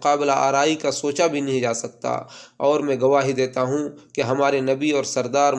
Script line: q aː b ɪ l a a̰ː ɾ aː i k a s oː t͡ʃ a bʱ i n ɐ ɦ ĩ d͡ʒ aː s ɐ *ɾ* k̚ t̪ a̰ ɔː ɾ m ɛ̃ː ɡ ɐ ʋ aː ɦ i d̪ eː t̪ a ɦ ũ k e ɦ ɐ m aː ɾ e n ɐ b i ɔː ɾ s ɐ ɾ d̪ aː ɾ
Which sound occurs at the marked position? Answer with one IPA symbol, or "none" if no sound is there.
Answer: none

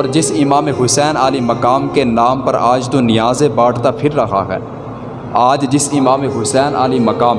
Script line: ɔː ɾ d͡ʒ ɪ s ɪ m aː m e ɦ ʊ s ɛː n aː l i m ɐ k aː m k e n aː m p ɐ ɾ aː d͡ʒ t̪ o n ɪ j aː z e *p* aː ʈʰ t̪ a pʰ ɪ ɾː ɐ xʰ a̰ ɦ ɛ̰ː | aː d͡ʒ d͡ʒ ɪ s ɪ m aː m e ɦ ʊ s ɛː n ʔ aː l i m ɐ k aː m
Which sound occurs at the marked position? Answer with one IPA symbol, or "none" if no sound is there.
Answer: b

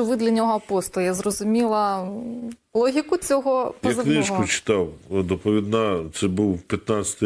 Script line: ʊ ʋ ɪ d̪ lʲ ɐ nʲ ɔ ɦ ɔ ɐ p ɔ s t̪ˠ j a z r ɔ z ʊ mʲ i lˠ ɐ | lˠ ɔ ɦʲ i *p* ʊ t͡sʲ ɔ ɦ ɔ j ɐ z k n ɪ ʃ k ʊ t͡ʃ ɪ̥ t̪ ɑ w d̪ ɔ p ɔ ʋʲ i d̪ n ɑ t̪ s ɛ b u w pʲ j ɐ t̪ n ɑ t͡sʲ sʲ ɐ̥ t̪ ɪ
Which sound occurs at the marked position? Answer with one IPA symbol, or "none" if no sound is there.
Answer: k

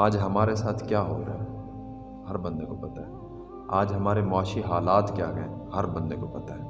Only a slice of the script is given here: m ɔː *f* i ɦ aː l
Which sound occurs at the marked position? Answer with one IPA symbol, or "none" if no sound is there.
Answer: ʃ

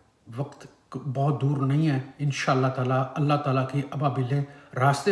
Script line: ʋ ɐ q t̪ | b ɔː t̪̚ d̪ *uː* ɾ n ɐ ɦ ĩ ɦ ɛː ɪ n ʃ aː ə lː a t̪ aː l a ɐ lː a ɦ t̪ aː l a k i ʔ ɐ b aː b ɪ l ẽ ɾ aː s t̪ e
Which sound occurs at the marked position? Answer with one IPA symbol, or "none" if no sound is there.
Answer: uː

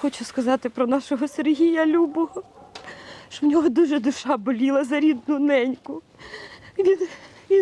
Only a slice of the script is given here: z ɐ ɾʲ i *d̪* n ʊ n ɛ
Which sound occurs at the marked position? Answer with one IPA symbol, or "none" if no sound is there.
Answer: d̪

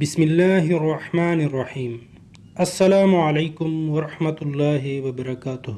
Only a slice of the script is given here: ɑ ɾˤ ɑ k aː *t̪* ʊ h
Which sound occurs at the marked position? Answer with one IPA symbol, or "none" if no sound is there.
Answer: t̪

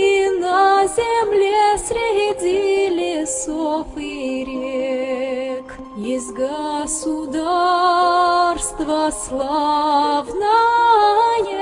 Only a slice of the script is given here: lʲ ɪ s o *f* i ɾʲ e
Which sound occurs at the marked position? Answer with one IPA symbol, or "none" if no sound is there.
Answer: f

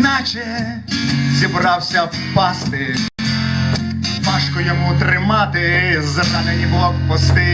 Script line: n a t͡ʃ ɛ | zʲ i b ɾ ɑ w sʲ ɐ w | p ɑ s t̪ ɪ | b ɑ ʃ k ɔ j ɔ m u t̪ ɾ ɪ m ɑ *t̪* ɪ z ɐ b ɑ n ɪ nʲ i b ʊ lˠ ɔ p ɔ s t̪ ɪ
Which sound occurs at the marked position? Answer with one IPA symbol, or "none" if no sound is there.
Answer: t̪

